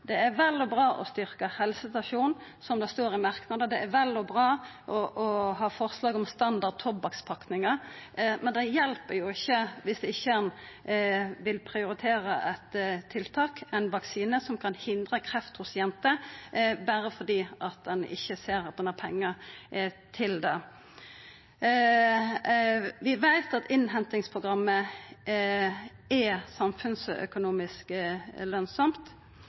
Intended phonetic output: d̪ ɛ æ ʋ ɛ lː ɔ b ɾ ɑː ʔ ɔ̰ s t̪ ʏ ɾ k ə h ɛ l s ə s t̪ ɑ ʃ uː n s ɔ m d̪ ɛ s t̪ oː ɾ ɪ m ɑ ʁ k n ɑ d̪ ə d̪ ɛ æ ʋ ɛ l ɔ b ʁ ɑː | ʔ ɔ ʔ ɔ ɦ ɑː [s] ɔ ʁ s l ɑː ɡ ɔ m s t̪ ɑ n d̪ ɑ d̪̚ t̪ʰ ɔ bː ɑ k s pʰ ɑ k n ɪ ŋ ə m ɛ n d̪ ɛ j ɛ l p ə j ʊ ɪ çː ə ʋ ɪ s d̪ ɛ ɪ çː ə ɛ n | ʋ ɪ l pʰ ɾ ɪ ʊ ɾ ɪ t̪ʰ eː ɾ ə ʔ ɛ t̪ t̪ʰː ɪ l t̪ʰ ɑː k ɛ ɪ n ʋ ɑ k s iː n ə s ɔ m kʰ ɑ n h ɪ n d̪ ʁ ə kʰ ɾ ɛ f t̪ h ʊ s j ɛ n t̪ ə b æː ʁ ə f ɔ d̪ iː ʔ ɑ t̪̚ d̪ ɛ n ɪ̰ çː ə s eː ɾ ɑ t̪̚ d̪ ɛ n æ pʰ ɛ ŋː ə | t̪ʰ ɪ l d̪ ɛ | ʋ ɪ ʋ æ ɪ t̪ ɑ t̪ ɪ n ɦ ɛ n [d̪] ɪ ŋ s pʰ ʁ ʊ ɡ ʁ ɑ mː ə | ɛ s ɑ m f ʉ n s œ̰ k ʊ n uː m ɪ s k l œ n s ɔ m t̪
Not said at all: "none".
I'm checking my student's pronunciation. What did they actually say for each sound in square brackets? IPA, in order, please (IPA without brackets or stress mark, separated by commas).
f, t̪